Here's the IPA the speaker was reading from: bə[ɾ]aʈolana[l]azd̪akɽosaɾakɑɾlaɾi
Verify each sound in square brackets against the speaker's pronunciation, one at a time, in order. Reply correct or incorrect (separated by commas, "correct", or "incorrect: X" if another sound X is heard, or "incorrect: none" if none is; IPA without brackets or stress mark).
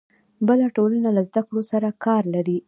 incorrect: l, correct